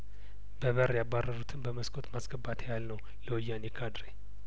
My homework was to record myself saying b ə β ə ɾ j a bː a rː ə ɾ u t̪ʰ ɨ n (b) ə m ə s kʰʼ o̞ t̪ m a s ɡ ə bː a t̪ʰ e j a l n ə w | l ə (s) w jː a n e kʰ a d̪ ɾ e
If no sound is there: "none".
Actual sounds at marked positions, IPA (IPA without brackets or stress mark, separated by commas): b, none